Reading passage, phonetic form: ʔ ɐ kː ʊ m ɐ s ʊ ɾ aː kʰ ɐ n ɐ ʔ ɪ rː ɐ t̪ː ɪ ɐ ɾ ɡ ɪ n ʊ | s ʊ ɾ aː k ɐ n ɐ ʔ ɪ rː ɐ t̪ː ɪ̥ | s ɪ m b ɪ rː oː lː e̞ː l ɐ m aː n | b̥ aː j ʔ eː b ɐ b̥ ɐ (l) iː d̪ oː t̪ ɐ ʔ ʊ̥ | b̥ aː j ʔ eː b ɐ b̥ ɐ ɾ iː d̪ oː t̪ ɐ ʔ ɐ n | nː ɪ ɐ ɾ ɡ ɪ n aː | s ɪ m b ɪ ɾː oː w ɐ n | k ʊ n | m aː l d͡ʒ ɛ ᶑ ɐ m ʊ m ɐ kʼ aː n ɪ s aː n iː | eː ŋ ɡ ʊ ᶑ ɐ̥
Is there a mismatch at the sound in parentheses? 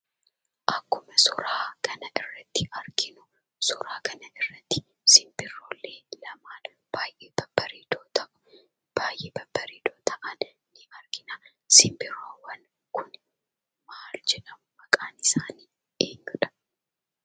yes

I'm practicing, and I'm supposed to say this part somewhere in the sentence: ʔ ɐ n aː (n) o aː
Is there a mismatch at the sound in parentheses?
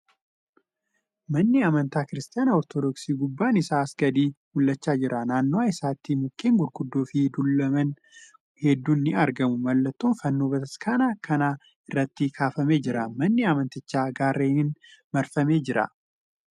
yes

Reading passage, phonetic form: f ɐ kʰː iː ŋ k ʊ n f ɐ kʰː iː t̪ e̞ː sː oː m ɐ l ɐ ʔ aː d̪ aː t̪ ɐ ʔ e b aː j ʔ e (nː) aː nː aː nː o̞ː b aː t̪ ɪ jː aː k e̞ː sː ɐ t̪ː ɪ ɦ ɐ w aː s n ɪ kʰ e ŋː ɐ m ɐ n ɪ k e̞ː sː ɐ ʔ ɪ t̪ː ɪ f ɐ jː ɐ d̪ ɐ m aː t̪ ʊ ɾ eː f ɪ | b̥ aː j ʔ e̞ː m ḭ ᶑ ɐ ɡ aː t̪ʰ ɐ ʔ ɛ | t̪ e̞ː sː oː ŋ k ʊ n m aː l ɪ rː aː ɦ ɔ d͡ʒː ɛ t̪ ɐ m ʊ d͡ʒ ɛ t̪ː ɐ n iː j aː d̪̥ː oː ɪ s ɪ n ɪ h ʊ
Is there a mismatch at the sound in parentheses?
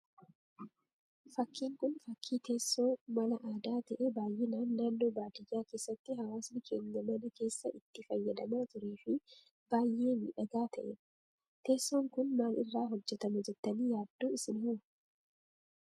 yes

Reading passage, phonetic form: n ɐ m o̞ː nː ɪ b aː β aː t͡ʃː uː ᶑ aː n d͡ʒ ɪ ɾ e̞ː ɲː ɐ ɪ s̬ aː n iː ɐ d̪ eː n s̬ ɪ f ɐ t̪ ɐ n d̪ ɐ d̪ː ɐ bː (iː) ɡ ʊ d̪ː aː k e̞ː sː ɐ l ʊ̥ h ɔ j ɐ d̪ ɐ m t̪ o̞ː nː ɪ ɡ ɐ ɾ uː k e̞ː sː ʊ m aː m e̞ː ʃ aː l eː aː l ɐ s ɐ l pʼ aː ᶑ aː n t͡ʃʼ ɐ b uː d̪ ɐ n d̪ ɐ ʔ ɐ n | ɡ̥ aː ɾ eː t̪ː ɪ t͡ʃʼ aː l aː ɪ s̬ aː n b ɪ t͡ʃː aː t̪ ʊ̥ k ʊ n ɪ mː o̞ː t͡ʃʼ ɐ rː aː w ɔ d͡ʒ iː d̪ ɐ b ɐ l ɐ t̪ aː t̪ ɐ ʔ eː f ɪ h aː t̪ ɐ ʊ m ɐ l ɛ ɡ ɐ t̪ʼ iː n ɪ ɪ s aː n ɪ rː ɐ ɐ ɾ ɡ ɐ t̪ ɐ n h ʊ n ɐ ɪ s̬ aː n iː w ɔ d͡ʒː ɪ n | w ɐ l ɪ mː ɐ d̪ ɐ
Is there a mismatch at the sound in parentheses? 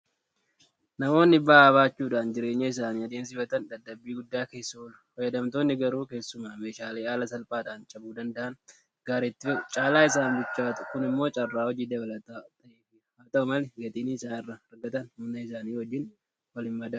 no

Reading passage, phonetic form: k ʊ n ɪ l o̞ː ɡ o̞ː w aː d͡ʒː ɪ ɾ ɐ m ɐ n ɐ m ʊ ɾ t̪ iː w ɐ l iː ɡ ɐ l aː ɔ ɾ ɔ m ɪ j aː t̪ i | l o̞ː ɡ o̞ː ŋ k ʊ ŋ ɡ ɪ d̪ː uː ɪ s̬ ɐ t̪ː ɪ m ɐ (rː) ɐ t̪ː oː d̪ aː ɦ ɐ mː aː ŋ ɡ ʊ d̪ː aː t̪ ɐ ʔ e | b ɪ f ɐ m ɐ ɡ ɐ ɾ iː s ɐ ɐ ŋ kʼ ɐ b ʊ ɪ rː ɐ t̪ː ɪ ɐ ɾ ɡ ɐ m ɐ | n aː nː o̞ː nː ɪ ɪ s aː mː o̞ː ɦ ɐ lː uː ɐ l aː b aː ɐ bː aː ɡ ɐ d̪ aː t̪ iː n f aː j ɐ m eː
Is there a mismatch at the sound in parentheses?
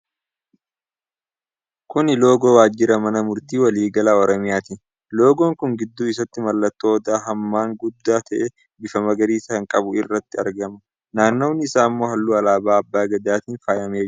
yes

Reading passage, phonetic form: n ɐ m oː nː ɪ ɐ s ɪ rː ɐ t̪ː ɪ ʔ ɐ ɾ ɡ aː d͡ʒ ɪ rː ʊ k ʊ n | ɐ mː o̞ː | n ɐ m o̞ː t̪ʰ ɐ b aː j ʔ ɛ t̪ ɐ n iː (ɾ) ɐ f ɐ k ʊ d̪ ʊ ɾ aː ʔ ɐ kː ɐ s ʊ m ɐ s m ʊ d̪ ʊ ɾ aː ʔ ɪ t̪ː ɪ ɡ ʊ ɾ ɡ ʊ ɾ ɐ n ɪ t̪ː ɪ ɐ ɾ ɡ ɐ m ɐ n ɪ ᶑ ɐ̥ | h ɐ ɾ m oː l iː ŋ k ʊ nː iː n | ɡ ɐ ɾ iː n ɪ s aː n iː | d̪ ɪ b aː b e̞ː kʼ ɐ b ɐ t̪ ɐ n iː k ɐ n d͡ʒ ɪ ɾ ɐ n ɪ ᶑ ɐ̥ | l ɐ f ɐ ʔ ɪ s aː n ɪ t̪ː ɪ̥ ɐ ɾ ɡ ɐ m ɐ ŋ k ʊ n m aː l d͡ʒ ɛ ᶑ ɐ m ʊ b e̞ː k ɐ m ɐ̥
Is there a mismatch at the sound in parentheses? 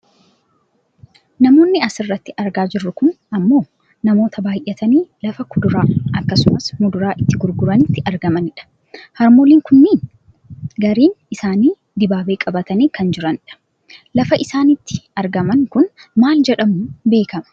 yes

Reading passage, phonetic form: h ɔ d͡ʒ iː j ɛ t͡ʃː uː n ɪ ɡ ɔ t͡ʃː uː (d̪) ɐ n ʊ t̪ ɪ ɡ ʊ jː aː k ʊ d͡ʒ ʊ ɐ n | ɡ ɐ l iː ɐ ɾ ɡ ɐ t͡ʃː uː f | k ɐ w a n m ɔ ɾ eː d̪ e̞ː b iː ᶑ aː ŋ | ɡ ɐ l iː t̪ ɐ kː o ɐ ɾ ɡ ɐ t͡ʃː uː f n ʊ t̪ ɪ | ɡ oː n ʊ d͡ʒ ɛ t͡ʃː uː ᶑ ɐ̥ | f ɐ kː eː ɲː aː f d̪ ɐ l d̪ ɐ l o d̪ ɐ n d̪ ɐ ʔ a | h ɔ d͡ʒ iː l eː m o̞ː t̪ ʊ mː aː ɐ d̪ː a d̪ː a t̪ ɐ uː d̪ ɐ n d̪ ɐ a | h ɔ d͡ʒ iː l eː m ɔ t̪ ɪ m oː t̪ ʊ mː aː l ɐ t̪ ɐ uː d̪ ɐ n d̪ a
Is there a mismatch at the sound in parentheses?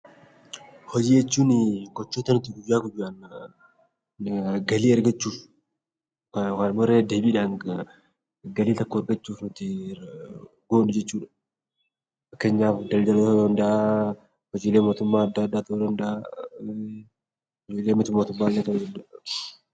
yes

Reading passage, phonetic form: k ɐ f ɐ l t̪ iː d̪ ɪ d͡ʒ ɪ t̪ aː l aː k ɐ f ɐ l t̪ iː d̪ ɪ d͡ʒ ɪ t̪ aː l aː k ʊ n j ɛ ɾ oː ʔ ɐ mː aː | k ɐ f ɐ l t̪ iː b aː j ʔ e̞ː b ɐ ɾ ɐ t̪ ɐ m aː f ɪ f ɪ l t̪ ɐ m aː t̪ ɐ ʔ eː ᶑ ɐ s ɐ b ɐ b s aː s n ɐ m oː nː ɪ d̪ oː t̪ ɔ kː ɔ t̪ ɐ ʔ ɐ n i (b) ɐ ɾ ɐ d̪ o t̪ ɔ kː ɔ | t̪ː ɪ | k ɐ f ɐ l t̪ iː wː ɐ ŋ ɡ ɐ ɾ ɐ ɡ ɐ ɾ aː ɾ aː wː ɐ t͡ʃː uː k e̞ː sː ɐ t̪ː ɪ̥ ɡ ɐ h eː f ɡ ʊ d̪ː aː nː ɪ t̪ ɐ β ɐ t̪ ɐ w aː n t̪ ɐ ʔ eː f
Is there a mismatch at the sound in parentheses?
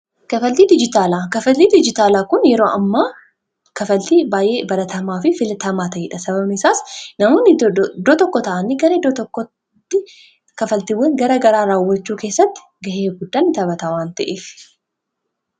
yes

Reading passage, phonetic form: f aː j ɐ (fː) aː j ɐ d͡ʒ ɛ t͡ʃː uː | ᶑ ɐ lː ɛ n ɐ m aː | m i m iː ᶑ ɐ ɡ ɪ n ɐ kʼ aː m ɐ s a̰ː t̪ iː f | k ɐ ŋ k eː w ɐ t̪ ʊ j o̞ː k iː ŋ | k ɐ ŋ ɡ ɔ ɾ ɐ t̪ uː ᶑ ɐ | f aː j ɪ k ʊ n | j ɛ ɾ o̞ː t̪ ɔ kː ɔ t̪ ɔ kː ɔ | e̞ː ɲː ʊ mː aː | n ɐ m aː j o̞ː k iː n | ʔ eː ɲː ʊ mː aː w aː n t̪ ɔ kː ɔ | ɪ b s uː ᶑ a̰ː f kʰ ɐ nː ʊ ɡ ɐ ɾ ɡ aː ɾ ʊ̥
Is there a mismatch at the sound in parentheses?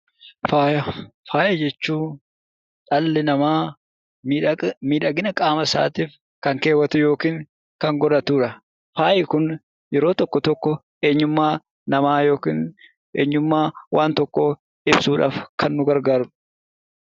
yes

